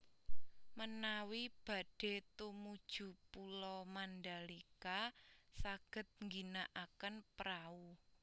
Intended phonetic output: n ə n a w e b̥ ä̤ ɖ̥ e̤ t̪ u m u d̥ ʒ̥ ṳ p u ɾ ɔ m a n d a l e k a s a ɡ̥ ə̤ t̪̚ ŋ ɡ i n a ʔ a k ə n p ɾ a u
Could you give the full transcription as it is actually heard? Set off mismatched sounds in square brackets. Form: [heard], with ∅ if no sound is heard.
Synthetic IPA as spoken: [m] ə n a w [i] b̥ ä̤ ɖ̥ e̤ t̪ u m u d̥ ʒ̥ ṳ p u [l] ɔ m a n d a l [i] k a s a ɡ̥ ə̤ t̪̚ ŋ ɡ i n a ʔ a k ə n p ɾ a u